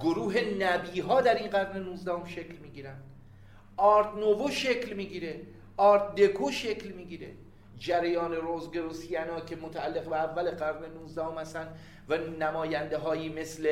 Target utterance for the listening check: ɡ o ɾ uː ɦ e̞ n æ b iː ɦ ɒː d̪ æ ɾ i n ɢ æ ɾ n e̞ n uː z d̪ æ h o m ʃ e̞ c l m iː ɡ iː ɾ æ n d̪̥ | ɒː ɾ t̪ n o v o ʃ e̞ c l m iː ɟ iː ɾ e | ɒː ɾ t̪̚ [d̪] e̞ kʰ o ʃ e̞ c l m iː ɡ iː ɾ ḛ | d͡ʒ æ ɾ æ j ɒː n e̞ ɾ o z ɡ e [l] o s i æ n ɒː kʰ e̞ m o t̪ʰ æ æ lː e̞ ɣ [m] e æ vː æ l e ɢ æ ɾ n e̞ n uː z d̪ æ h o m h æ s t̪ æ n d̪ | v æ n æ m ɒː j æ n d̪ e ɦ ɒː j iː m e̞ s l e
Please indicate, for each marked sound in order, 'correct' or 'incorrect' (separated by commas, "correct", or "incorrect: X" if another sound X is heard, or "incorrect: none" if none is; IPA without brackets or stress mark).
correct, incorrect: ɾ, incorrect: b